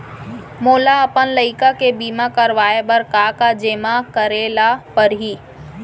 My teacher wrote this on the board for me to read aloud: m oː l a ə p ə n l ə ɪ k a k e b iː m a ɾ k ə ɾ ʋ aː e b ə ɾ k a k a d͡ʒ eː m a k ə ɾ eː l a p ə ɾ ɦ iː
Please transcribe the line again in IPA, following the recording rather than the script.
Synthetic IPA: m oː l a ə p ə n l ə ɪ k a k e b iː m a k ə ɾ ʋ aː e b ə ɾ k a k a d͡ʒ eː m a k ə ɾ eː l a p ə ɾ ɦ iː